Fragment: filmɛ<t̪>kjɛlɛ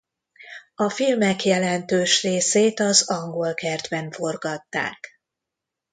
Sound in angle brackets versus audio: incorrect: none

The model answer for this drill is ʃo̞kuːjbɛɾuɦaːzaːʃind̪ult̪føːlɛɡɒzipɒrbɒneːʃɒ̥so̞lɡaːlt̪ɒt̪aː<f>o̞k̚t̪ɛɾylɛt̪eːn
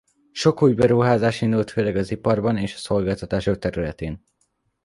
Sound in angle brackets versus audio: incorrect: ʃ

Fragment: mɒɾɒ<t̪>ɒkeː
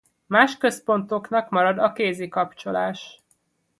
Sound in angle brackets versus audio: incorrect: d̪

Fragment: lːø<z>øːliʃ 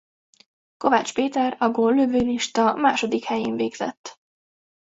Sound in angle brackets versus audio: incorrect: v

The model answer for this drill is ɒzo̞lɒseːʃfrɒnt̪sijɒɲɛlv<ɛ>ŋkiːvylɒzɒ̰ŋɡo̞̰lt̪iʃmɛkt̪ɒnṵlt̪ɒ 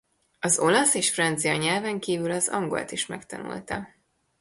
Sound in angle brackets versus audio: correct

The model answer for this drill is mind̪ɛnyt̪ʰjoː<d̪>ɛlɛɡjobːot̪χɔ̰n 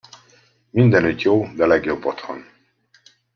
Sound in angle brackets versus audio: correct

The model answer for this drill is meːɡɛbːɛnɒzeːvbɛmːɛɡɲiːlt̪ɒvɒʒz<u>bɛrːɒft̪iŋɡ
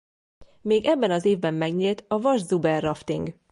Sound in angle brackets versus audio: correct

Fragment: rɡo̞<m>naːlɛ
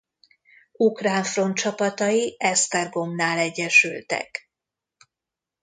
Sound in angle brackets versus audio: correct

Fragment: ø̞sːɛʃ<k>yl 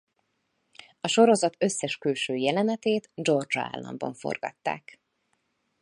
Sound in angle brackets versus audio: correct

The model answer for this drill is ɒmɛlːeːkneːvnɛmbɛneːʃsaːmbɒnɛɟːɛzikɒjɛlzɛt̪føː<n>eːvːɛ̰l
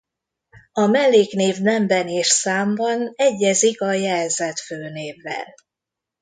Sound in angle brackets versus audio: correct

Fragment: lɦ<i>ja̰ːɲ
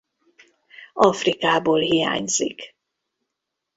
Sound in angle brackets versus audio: correct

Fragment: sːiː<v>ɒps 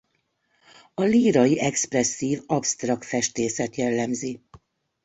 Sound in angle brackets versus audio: correct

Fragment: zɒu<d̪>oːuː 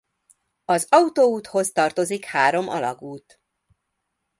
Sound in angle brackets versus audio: incorrect: t̪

